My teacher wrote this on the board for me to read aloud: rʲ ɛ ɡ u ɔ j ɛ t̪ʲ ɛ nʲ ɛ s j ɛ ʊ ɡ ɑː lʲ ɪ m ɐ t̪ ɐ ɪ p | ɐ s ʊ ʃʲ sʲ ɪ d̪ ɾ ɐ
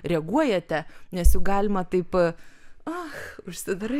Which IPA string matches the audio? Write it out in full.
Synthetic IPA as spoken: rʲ ɛ ɡ u ɔ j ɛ t̪ʲ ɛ nʲ ɛ s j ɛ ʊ ɡ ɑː lʲ ɪ m ɐ t̪ ɐ ɪ p | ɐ x ʊ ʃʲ sʲ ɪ d̪ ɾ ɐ